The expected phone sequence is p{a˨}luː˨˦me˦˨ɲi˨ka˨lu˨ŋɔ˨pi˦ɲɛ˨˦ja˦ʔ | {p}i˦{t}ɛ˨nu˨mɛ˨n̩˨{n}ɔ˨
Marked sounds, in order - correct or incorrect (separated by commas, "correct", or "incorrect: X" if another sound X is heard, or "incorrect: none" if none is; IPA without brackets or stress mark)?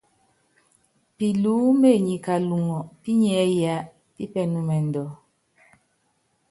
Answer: incorrect: i˨, correct, incorrect: p, incorrect: d